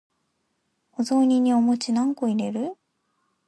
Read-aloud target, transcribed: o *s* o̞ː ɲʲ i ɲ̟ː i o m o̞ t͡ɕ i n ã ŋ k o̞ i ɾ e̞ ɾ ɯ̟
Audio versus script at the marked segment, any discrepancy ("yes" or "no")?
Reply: yes